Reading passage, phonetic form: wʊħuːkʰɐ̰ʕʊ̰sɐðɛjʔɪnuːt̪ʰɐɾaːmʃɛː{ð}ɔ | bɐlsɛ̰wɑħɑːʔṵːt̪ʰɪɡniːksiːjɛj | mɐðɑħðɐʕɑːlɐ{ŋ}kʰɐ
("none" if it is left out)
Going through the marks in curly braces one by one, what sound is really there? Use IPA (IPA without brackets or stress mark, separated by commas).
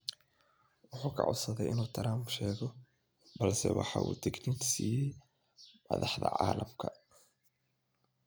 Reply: ɣ, m